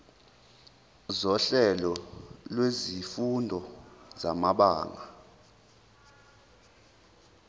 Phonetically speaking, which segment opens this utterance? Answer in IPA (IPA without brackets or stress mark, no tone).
z